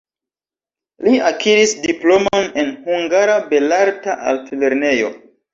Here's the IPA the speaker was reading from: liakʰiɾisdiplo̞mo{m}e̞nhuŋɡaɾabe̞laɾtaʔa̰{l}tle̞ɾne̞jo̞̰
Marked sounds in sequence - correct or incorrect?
incorrect: n, correct

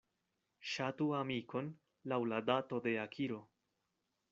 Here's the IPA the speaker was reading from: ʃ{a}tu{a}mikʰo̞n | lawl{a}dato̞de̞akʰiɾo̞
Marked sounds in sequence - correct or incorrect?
correct, correct, correct

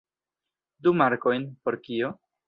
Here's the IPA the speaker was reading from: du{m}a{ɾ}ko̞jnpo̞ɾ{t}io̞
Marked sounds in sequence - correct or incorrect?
correct, correct, incorrect: k

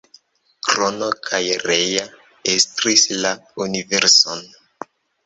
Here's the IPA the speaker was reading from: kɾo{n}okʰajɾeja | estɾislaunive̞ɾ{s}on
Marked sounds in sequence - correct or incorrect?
correct, correct

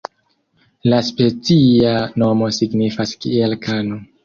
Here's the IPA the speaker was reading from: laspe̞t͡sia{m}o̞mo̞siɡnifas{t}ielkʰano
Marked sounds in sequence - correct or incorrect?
incorrect: n, incorrect: k

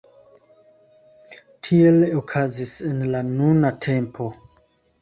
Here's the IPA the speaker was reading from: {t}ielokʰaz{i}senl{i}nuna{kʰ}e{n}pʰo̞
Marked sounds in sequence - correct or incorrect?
incorrect: tʰ, correct, incorrect: a, incorrect: tʰ, incorrect: m

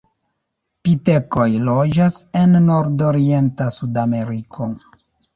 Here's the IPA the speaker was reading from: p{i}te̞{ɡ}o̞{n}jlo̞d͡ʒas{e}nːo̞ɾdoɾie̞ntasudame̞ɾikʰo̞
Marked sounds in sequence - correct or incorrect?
correct, incorrect: k, incorrect: none, correct

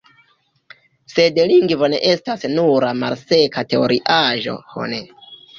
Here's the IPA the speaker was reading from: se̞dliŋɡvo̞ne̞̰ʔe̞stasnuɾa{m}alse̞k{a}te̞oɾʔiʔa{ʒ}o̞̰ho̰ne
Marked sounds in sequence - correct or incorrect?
correct, correct, correct

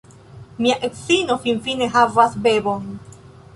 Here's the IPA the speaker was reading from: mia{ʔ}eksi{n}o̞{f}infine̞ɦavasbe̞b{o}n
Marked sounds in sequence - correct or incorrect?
correct, correct, correct, correct

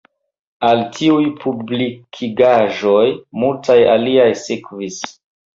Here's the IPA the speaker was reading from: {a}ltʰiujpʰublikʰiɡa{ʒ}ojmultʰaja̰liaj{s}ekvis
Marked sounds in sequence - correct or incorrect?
correct, correct, correct

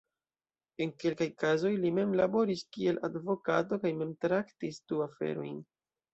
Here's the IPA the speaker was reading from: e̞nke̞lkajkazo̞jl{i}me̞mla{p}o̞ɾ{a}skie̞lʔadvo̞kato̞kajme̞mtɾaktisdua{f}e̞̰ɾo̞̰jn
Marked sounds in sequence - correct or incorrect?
correct, incorrect: b, incorrect: i, correct

